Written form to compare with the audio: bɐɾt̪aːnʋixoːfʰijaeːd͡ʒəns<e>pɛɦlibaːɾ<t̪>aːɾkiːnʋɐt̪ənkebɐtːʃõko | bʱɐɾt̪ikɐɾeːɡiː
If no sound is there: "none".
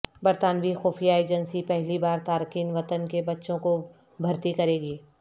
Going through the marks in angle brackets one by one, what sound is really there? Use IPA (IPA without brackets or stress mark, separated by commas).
i, t̪